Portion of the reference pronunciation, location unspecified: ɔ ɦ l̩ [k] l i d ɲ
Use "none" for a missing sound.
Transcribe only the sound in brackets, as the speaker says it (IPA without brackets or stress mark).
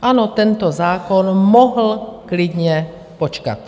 k